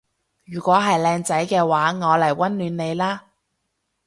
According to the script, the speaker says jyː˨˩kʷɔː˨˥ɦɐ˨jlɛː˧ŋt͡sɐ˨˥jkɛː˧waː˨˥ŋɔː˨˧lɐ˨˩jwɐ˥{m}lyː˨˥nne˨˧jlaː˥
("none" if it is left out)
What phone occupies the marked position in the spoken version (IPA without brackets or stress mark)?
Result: n